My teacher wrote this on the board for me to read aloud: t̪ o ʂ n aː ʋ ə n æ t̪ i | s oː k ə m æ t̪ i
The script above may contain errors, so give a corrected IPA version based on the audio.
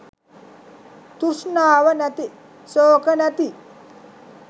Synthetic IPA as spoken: t̪ u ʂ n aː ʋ ə n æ t̪ i | s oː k ə n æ t̪ i